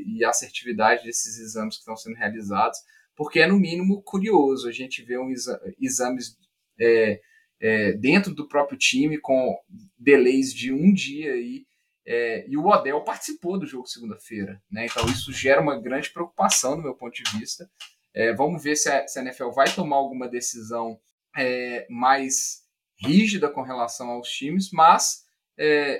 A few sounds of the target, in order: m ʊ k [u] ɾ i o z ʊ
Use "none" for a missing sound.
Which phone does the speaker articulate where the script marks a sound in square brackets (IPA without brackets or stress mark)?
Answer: u